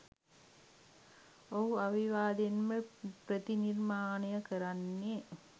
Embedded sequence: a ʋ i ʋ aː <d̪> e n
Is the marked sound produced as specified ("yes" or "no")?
yes